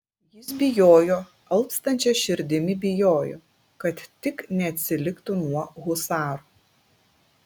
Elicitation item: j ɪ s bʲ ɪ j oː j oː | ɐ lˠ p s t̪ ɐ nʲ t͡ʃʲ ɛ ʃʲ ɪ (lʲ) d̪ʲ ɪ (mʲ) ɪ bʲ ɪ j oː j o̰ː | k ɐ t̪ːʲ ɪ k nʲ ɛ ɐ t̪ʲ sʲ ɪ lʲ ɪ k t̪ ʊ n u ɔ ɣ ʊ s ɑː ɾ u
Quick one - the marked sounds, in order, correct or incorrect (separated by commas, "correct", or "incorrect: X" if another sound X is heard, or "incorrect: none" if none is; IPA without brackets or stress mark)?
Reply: incorrect: ɾʲ, correct